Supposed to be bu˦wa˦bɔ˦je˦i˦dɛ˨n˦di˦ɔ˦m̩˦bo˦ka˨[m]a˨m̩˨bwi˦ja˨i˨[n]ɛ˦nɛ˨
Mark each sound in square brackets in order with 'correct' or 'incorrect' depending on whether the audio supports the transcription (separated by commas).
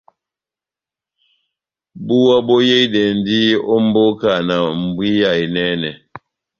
incorrect, correct